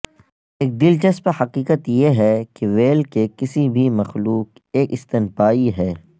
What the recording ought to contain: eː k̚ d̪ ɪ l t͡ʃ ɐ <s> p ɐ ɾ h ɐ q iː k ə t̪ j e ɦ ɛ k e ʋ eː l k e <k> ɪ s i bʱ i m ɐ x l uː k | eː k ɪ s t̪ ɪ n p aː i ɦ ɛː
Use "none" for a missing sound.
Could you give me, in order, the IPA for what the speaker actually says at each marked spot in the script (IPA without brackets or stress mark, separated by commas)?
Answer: s, k